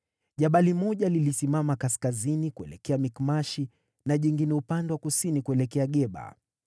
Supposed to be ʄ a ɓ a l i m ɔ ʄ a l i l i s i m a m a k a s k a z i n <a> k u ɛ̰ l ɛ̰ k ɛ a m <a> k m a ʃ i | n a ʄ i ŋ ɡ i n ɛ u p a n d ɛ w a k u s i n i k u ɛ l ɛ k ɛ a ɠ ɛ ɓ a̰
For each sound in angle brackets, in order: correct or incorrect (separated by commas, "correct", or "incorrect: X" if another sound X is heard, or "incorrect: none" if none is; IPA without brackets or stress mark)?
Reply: incorrect: i, incorrect: i